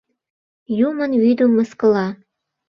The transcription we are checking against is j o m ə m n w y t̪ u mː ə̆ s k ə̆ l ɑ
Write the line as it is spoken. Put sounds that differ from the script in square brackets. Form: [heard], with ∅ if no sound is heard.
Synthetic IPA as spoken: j [u] m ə [∅] n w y [d̪] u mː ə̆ s k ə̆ l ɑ